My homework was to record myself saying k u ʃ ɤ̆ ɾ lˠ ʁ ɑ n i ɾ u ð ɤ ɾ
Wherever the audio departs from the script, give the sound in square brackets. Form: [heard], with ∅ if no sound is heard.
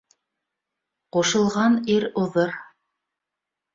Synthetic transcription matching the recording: [q] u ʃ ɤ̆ [∅] lˠ ʁ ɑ n i ɾ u ð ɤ ɾ